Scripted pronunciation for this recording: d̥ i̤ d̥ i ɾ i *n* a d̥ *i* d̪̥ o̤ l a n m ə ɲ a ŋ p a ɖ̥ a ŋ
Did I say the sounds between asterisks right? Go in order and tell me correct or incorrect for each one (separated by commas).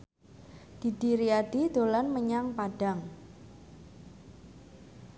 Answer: incorrect, correct